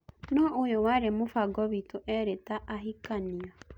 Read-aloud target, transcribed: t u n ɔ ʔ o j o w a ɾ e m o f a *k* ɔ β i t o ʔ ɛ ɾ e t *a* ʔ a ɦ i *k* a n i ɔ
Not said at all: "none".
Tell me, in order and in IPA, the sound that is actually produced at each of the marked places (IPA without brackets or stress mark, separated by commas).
ɡ, a, k